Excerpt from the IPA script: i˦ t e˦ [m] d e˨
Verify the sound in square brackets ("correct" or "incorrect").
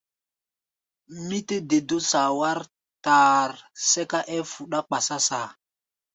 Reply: incorrect